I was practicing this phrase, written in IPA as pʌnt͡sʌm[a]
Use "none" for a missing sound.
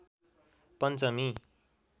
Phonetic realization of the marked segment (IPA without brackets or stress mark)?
i